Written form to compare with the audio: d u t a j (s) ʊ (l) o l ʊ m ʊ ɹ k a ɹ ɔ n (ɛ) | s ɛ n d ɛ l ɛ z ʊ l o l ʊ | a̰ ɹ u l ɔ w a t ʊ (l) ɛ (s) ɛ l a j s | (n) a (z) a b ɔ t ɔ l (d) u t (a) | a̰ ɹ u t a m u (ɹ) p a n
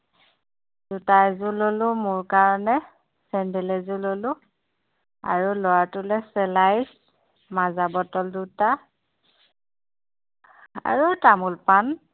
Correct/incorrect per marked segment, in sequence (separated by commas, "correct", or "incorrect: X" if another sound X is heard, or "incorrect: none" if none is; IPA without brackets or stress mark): incorrect: z, correct, correct, correct, correct, incorrect: m, correct, correct, correct, incorrect: l